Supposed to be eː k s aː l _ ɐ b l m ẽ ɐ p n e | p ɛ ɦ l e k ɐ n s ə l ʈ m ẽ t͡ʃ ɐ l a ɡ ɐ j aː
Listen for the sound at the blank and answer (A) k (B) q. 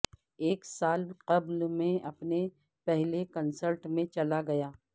B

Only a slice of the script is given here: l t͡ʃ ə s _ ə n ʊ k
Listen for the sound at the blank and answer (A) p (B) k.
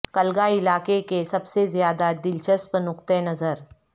A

